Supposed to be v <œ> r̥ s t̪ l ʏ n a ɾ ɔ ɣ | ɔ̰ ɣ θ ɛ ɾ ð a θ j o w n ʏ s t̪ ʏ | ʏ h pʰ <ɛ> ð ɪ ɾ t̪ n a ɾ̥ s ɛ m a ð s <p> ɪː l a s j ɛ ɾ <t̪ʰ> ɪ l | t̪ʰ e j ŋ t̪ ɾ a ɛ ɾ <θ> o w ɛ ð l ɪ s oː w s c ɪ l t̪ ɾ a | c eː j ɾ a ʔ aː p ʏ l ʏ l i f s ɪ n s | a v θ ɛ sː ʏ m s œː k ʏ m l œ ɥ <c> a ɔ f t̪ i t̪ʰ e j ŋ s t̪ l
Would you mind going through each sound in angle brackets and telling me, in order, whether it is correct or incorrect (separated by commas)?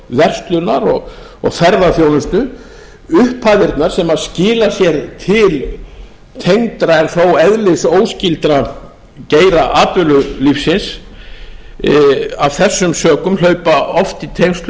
incorrect, incorrect, incorrect, correct, correct, incorrect